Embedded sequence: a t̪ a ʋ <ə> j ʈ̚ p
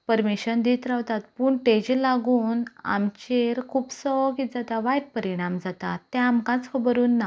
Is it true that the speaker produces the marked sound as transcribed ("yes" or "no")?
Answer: no